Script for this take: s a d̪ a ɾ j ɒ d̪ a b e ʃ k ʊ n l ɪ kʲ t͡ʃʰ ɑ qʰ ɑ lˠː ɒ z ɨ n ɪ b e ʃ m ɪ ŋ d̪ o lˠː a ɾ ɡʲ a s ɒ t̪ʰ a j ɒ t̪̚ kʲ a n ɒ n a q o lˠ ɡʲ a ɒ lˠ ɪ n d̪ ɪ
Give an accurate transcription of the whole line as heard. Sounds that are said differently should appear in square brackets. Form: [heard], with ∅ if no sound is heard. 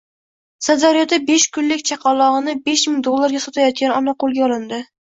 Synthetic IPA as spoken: s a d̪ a ɾ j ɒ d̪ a b e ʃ k ʊ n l ɪ kʲ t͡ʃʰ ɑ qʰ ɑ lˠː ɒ [ʁ] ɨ n ɪ b e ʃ m ɪ ŋ d̪ o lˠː a ɾ ɡʲ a s ɒ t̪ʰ a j ɒ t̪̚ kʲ a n ɒ n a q o lˠ ɡʲ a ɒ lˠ ɪ n d̪ ɪ